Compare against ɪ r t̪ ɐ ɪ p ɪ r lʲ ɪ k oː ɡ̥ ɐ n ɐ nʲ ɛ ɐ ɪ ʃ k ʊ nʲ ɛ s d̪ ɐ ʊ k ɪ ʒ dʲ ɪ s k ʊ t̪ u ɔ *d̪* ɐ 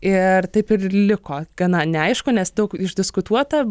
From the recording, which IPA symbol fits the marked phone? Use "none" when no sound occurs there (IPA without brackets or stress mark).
t̪